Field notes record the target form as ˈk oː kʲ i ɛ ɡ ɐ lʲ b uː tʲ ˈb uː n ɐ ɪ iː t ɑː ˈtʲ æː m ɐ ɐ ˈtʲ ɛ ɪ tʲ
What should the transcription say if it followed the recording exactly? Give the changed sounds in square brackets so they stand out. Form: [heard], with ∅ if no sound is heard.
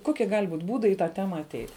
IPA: ˈk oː kʲ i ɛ ɡ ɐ lʲ b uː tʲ ˈb uː [d] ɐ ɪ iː t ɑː ˈtʲ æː m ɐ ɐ ˈtʲ ɛ ɪ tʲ

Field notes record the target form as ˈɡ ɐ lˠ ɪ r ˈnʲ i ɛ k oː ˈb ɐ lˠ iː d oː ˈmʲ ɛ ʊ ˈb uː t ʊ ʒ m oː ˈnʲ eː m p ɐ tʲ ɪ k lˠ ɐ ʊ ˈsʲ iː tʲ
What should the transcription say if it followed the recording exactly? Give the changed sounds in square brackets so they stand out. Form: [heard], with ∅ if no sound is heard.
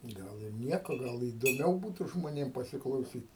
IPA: ˈɡ ɐ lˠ ɪ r ˈnʲ i ɛ k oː [ˈɡ] ɐ lˠ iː d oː ˈmʲ ɛ ʊ ˈb uː t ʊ ʒ m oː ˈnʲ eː m p ɐ [sʲ] ɪ k lˠ ɐ ʊ ˈsʲ iː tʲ

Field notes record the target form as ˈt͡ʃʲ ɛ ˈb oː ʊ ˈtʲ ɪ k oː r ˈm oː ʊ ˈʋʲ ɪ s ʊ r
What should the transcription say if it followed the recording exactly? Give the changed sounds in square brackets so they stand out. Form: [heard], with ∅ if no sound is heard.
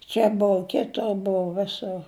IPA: ˈt͡ʃʲ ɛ ˈb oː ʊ [ˈkʲ] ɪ [t] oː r [ˈb] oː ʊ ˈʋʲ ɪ s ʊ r

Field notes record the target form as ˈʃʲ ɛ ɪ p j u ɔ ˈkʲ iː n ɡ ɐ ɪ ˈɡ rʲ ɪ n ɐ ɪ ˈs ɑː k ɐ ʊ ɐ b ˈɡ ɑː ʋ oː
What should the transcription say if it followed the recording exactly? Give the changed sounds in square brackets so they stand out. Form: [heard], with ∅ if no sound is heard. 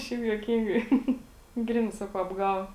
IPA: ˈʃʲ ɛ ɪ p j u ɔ ˈkʲ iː [ŋ] ɡ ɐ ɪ ˈɡ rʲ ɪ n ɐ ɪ ˈs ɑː k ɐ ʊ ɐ b ˈɡ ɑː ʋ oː

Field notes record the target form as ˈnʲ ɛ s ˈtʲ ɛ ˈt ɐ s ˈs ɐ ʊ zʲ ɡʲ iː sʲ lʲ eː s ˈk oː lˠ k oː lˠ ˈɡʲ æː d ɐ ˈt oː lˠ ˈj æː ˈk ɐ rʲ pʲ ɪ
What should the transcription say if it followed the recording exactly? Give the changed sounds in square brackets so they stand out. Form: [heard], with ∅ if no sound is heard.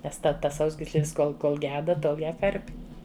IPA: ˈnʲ ɛ s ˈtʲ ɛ ˈt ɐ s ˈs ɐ ʊ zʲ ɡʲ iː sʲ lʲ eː s ˈk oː lˠ k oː lˠ ˈɡʲ æː d ɐ ˈt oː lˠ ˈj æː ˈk ɐ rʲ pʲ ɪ

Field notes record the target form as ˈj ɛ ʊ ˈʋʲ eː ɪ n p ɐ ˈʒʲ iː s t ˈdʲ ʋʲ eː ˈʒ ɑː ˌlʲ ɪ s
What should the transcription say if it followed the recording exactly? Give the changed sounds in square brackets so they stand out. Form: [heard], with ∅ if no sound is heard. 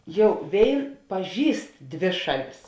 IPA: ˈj ɛ ʊ ˈʋʲ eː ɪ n p ɐ ˈʒʲ iː s t ˈdʲ ʋʲ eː [ˈʃ] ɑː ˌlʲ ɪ s

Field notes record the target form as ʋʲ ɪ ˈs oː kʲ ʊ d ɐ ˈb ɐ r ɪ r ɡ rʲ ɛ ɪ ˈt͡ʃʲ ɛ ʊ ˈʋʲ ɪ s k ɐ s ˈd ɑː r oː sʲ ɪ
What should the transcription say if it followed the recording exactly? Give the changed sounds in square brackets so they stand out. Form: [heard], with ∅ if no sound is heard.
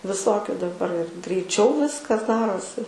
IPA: ʋʲ ɪ ˈs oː kʲ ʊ d ɐ ˈb ɐ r ɪ r ɡ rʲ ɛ ɪ ˈt͡ʃʲ ɛ ʊ ˈʋʲ ɪ s k ɐ s ˈd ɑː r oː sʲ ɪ

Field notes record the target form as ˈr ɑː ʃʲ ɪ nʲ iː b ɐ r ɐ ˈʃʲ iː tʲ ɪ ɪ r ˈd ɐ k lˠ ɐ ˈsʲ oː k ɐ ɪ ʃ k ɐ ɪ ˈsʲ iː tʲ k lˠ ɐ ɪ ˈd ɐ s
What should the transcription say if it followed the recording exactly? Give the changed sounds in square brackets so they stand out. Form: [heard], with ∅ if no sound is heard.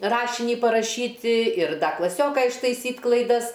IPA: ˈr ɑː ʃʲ ɪ nʲ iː [p] ɐ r ɐ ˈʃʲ iː tʲ ɪ ɪ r ˈd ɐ k lˠ ɐ ˈsʲ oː k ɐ ɪ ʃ [t] ɐ ɪ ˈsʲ iː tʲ k lˠ ɐ ɪ ˈd ɐ s

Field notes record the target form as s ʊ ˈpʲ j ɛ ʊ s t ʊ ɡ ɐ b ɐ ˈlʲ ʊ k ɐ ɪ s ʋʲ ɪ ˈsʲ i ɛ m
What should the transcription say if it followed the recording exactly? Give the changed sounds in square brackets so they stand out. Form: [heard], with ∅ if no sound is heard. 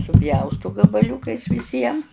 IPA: s ʊ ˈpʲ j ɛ ʊ s t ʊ ɡ ɐ b ɐ ˈlʲ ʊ k ɐ ɪ s ʋʲ ɪ ˈsʲ i ɛ m

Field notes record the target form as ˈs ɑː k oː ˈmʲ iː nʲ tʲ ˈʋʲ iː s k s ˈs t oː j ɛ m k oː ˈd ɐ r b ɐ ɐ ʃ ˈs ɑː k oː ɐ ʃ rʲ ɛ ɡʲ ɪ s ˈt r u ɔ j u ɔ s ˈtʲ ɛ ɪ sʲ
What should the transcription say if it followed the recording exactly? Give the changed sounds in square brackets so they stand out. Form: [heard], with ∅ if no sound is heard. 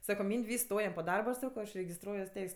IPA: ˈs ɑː k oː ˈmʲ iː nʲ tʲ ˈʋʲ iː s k s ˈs t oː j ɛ m [p] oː ˈd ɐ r b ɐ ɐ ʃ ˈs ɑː k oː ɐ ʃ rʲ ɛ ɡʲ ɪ s ˈt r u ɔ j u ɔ s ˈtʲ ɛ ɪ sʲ

